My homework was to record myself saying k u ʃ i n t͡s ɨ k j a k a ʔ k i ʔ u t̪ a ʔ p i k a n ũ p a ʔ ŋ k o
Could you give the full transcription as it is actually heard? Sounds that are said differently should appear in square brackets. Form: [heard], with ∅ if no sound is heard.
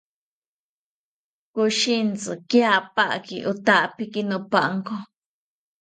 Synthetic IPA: k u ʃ i n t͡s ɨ k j a [p] a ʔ k i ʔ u t̪ a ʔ p i k [i] n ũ p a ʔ ŋ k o